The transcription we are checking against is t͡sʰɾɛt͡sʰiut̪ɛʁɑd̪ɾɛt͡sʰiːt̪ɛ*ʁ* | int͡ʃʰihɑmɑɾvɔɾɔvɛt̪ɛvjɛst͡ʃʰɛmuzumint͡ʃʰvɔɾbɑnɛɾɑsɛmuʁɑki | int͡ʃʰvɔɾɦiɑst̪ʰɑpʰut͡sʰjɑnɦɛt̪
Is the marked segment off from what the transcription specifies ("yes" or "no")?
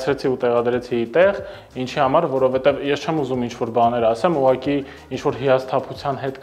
no